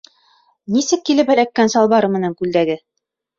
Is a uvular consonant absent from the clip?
yes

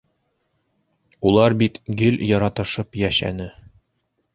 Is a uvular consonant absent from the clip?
yes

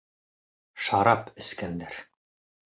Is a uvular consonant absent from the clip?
yes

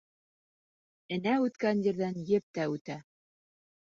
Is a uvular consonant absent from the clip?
yes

